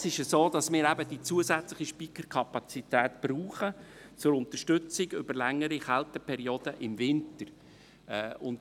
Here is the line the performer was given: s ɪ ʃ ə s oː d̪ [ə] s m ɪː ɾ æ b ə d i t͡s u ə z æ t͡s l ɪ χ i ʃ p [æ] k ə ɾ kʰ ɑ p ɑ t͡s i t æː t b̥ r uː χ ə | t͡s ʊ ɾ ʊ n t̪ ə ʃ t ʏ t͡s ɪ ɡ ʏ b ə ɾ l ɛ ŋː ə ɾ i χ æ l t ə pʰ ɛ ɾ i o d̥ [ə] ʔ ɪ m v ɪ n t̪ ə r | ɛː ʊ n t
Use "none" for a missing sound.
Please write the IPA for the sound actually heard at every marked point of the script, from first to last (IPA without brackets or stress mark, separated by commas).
ɑ, i, ə